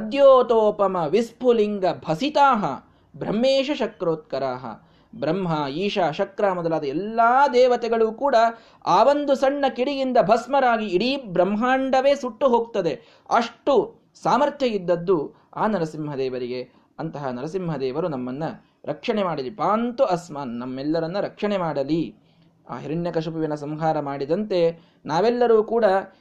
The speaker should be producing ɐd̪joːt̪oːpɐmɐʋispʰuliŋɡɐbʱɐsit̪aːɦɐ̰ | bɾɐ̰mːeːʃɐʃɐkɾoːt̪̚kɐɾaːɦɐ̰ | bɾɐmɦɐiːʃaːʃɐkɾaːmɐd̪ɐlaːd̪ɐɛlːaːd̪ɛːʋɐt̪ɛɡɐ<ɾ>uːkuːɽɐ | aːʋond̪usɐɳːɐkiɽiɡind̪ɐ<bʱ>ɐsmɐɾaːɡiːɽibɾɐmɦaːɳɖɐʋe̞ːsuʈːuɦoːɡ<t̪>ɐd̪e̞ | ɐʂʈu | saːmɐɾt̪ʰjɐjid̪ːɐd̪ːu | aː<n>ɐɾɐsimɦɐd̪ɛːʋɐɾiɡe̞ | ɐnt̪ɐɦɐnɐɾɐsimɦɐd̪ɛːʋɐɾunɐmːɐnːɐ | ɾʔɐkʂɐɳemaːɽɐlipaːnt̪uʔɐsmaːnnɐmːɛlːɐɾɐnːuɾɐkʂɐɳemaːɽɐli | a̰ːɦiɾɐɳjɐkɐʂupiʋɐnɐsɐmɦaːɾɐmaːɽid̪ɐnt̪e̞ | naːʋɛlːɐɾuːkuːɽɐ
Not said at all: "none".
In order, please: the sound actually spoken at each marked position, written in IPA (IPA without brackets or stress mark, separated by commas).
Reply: ɭ, bʱ, t̪, n